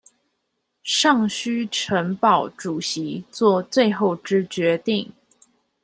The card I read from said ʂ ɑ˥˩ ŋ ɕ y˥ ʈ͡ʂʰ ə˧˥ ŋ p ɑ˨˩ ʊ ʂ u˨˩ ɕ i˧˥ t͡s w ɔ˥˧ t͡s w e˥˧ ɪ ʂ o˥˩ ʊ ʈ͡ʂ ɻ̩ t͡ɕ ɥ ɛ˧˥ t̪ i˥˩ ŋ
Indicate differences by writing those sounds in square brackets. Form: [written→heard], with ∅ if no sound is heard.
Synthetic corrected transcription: ʂ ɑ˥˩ ŋ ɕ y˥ ʈ͡ʂʰ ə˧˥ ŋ p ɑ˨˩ ʊ [ʂ→ʈ͡ʂ] u˨˩ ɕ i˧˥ t͡s w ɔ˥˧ t͡s w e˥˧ ɪ [ʂ→x] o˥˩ ʊ ʈ͡ʂ ɻ̩ t͡ɕ ɥ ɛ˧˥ t̪ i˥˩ ŋ